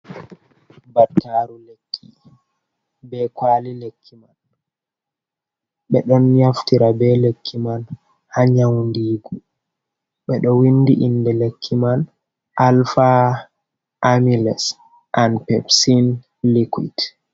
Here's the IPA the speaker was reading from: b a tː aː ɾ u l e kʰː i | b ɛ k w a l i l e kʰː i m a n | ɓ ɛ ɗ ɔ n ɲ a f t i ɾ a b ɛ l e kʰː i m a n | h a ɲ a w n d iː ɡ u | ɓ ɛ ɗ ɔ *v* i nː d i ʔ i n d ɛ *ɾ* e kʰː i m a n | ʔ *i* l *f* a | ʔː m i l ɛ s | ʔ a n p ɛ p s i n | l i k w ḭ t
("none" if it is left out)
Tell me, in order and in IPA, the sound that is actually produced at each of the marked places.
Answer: w, l, a, f

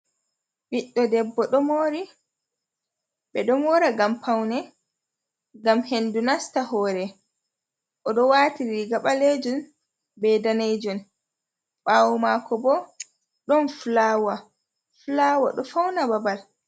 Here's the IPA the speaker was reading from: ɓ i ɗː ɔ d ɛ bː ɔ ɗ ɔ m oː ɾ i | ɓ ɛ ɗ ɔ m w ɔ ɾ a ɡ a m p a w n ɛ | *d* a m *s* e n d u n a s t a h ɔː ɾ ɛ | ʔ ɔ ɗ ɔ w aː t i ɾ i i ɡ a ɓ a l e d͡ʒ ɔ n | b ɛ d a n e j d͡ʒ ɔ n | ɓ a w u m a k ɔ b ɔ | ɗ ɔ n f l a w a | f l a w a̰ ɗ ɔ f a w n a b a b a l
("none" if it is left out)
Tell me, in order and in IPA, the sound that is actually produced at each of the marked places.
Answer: ɡ, h

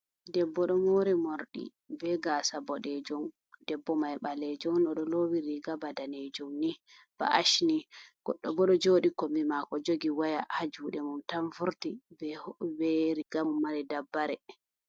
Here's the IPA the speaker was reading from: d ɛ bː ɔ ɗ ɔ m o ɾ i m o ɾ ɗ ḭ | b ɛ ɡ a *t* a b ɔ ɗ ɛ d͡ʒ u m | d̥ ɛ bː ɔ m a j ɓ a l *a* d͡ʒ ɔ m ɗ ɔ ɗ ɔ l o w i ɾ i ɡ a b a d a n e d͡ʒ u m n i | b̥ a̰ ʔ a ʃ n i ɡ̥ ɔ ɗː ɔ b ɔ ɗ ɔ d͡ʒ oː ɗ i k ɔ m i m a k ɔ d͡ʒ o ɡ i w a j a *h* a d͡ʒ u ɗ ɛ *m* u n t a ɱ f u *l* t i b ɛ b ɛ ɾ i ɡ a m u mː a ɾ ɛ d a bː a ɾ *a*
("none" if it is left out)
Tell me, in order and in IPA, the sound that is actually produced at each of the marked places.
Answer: s, ɛ, h, m, ɾ, ɛ

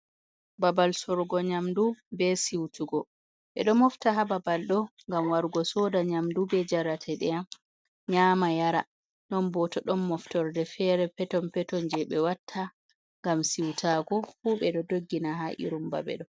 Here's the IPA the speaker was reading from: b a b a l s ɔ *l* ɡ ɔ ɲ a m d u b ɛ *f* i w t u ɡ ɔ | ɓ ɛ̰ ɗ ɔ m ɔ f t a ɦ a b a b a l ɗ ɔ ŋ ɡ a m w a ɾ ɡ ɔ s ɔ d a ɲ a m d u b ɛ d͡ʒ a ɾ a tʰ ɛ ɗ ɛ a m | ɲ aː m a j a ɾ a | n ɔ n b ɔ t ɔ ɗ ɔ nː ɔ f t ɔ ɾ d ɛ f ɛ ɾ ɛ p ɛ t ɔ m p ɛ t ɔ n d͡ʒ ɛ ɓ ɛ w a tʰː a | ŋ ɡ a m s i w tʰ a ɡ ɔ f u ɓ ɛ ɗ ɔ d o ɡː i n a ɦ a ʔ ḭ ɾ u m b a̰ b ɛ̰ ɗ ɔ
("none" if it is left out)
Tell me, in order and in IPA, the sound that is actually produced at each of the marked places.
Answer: ɾ, s

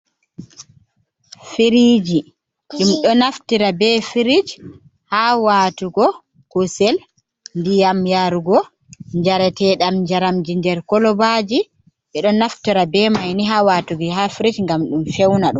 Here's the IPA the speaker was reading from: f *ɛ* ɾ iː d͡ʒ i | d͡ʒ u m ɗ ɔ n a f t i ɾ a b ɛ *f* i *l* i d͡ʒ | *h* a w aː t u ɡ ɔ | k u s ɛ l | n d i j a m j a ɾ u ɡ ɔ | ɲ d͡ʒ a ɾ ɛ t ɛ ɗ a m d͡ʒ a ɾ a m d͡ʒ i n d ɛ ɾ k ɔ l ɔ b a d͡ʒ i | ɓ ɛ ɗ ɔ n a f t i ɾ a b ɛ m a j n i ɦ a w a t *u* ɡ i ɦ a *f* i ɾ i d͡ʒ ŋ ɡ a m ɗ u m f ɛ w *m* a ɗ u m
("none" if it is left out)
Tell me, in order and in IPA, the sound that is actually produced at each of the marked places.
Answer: i, f, ɾ, h, u, f, n

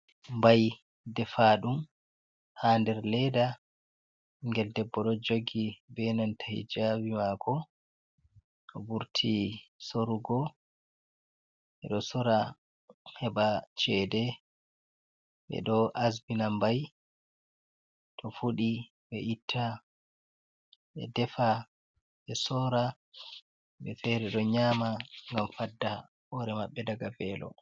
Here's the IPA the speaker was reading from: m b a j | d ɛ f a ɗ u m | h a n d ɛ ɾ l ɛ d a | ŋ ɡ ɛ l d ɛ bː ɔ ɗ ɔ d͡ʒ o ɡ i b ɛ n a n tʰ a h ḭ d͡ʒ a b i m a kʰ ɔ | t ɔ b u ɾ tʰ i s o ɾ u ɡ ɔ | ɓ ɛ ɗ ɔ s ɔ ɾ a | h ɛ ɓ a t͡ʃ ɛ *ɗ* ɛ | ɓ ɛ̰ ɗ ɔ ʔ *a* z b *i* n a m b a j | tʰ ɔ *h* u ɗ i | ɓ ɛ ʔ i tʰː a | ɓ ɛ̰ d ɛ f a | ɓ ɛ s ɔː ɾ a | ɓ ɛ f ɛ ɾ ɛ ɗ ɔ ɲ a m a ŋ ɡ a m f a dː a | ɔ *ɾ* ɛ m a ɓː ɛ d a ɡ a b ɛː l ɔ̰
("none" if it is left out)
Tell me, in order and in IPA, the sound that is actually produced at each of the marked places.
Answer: d, a, i, f, ɾ

